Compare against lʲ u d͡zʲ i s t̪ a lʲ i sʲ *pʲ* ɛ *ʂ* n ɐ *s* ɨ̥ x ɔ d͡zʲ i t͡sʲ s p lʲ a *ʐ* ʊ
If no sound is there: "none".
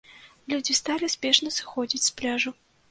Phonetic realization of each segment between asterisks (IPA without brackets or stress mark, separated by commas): pʲ, ʂ, s, ʐ